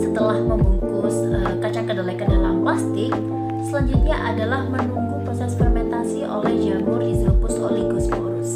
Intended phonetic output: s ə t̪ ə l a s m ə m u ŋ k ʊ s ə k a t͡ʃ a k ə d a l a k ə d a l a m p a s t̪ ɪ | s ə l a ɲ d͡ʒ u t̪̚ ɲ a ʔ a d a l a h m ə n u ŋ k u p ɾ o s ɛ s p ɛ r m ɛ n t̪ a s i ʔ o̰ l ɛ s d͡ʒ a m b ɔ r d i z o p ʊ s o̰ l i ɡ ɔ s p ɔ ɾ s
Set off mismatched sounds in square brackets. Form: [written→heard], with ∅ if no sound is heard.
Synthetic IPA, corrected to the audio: s ə t̪ ə l a [s→h] m ə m u ŋ k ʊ s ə k a t͡ʃ a k ə d a l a k ə d a l a m p a s t̪ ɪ | s ə l a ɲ d͡ʒ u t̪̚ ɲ a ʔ a d a l a h m ə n u ŋ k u p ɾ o s ɛ s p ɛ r m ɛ n t̪ a s i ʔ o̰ l ɛ [s→h] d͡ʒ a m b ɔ r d i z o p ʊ s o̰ l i ɡ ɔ s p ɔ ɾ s